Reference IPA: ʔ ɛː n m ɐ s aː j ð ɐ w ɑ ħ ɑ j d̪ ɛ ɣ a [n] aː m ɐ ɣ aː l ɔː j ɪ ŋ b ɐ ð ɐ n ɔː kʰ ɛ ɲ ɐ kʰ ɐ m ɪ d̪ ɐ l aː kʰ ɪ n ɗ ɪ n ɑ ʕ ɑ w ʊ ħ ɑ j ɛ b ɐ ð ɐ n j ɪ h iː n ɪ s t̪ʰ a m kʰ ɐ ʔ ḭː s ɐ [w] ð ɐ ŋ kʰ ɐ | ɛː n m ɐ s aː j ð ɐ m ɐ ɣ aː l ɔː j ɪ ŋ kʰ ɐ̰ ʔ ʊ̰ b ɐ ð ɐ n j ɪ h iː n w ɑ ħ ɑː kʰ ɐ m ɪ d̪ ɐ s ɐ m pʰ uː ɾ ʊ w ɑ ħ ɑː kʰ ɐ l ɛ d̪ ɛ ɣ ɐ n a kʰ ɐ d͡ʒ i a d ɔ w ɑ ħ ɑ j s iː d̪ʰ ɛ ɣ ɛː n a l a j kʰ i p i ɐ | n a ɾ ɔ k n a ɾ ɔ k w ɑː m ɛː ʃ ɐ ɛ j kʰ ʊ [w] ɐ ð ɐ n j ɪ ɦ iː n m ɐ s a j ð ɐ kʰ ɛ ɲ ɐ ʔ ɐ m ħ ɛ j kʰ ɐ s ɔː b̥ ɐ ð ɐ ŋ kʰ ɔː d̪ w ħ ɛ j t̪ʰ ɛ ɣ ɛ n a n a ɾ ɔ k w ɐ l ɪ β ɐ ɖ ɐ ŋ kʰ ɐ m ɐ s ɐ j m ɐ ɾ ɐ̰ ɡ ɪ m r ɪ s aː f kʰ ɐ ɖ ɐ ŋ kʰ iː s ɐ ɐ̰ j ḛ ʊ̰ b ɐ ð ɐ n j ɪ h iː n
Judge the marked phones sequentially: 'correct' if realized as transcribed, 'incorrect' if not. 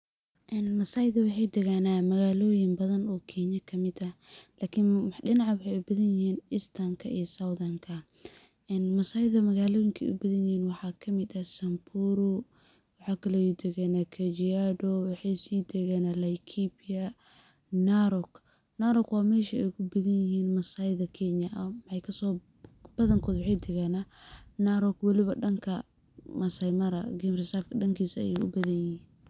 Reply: correct, correct, incorrect

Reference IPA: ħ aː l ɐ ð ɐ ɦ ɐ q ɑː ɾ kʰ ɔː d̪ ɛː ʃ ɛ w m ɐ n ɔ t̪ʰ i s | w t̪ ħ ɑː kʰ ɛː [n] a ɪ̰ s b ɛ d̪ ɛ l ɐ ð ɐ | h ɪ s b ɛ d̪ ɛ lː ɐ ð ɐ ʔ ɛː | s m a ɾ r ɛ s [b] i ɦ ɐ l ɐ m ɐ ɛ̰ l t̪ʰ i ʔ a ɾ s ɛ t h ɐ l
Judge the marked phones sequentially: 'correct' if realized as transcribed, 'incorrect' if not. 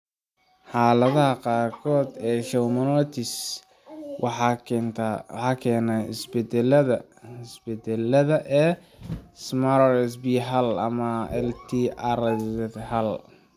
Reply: correct, correct

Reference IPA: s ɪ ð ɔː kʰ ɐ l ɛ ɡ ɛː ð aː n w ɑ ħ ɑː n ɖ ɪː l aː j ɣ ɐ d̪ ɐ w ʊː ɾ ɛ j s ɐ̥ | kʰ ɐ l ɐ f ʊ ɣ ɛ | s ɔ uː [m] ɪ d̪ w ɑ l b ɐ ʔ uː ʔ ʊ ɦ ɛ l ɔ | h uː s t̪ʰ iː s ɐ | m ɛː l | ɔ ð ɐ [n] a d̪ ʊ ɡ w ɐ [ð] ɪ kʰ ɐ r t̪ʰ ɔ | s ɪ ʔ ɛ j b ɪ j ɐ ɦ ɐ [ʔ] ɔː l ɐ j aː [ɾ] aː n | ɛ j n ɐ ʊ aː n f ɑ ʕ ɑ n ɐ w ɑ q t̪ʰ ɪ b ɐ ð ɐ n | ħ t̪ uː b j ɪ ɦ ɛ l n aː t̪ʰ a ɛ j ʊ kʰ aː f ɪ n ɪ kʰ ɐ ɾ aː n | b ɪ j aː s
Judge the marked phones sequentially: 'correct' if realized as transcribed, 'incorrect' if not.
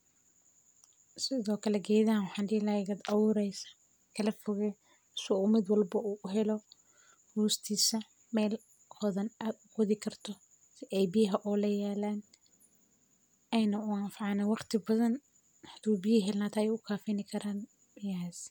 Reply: correct, correct, correct, correct, incorrect

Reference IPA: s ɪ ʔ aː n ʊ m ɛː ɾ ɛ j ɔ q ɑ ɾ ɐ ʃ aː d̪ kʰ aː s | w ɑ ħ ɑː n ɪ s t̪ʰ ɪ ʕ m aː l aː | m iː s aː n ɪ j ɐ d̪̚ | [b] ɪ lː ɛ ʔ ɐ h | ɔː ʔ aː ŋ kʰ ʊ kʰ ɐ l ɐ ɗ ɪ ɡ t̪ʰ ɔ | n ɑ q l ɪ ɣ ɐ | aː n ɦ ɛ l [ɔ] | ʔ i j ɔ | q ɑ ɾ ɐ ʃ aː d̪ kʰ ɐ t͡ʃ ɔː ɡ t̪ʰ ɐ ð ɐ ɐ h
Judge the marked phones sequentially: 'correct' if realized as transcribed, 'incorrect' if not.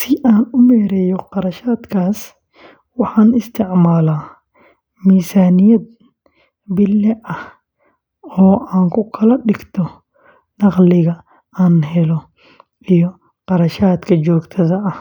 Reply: correct, correct

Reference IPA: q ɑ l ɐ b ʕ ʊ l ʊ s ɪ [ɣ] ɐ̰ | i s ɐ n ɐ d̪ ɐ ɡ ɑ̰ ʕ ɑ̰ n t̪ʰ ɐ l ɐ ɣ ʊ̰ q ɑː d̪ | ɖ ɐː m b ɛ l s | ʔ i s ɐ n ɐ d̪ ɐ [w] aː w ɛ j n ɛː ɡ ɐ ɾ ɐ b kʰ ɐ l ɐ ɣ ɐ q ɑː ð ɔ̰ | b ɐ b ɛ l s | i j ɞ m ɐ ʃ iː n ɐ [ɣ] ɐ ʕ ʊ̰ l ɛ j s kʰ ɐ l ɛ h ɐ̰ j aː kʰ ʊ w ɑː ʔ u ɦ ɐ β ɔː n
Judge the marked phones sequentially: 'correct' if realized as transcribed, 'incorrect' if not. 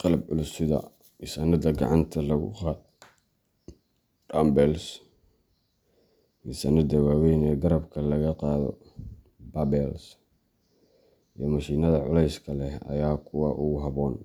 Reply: incorrect, correct, incorrect

